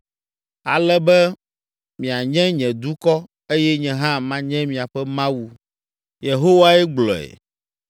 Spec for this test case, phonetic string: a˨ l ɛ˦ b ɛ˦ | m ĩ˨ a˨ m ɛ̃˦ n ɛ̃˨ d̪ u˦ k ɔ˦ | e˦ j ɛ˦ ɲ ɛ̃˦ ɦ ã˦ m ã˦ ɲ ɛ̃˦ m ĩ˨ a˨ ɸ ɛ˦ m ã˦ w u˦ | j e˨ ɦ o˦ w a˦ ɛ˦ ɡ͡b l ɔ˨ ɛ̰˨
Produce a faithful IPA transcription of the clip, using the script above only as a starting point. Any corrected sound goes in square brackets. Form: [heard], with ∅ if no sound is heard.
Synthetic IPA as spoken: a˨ l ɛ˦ b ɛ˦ | m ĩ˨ a˨ [ɲ] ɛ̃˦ [ɲ] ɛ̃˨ d̪ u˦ k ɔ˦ | e˦ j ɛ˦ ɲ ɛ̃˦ ɦ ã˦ m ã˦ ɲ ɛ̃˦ m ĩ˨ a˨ ɸ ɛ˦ m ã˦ w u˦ | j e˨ ɦ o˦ w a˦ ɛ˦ ɡ͡b l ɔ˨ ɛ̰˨

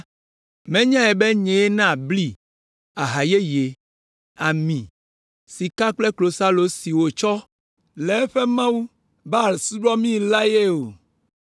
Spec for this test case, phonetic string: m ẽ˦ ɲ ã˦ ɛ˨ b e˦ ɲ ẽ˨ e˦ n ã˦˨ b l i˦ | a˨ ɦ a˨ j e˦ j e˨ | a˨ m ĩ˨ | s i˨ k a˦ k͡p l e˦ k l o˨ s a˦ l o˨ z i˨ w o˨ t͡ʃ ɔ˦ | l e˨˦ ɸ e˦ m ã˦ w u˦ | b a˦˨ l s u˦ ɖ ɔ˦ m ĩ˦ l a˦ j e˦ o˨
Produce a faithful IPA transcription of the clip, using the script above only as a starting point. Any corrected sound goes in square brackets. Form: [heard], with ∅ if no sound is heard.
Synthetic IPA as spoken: m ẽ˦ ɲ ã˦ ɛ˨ b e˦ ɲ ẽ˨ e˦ n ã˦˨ b l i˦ | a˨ ɦ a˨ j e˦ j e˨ | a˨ m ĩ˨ | s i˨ k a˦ k͡p l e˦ k l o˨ s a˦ l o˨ [s] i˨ w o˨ t͡ʃ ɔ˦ | l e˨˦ ɸ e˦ m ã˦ w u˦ | b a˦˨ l s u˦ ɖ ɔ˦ m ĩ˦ l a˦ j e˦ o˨

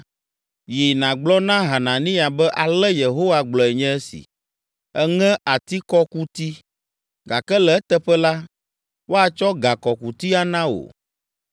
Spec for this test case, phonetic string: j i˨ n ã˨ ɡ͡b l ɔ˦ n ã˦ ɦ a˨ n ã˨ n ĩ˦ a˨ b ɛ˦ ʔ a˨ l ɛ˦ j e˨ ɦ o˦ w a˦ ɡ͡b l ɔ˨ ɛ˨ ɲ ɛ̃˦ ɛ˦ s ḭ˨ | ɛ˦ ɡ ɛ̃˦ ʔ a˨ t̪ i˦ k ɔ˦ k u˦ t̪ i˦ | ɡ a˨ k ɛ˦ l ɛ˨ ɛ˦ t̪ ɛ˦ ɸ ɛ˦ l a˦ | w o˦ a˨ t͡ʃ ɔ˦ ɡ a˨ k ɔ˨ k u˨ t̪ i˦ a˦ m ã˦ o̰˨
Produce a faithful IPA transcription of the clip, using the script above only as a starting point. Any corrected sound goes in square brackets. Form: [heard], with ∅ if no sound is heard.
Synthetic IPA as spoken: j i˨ n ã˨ ɡ͡b l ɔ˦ n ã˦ ɦ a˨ n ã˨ n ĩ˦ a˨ b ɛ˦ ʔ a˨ l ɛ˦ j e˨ ɦ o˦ w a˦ ɡ͡b l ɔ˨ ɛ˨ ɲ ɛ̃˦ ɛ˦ s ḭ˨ | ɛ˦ [ŋ] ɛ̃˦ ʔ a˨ t̪ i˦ k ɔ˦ k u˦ t̪ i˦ | ɡ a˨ k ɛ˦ l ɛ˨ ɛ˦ t̪ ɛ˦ ɸ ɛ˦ l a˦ | w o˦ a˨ t͡ʃ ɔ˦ ɡ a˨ k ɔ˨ k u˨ t̪ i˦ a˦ [n] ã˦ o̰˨

